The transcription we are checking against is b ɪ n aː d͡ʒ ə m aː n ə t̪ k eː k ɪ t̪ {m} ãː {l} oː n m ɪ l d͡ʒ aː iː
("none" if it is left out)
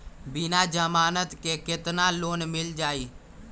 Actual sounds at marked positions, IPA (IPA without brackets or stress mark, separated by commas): n, l